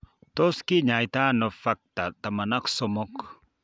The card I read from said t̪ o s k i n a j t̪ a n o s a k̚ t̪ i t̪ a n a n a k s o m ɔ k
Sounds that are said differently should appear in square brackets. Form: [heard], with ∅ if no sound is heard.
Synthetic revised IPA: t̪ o s k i [ɲ] a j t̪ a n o [f] a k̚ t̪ [a] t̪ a [m] a n a k s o m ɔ k